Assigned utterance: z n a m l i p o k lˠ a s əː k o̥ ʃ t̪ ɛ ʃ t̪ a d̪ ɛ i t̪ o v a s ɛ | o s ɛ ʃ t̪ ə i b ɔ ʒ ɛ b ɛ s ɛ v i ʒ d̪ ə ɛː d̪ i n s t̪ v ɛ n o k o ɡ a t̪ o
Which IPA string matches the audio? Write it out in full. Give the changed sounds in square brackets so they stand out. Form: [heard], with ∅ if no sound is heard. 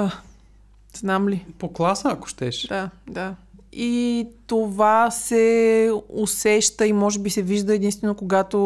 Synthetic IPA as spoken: z n a m l i p o k lˠ a s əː k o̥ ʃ t̪ ɛ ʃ [d̪] a d̪ [a] i t̪ o v a s ɛ | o s ɛ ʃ t̪ ə i [m] ɔ ʒ ɛ b [i] s ɛ v i ʒ d̪ ə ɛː d̪ i n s t̪ v ɛ n o k o ɡ a t̪ o